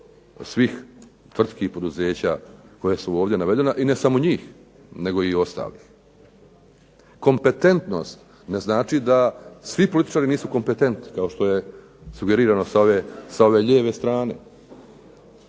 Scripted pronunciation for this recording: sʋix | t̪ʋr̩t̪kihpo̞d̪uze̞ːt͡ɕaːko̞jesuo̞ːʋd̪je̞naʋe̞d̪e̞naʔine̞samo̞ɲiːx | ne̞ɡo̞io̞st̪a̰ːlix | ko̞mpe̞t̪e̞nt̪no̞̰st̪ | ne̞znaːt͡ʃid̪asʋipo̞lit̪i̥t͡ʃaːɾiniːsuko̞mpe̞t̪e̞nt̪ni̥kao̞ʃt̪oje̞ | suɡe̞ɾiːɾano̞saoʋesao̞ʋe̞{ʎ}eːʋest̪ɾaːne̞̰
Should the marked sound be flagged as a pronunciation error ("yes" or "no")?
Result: no